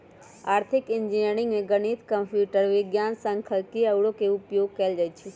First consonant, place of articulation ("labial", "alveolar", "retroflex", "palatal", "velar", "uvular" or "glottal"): alveolar